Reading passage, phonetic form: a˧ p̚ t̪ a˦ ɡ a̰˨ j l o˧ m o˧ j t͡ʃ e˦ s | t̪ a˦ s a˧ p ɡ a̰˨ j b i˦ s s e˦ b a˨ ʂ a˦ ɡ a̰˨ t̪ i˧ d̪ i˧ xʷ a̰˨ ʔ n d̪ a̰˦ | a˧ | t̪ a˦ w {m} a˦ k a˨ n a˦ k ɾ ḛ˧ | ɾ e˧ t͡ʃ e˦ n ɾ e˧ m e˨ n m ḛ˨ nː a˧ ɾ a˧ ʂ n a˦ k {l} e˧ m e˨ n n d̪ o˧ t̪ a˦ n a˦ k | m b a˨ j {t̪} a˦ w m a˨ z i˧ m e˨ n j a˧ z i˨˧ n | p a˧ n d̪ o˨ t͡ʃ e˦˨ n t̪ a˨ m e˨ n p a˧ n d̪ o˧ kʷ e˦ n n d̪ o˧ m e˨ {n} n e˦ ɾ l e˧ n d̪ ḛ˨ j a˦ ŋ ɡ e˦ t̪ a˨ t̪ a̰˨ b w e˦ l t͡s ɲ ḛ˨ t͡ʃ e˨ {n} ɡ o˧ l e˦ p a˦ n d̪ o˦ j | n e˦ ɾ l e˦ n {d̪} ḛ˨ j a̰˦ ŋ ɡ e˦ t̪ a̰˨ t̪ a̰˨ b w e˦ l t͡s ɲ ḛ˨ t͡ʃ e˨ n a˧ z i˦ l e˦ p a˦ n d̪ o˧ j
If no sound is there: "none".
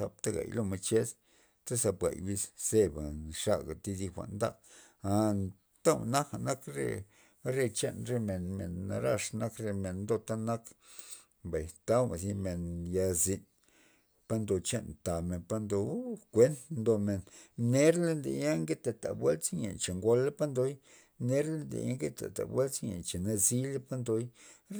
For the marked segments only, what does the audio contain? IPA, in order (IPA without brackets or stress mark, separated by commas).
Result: n, ɾ, t̪, n, ŋ, d̪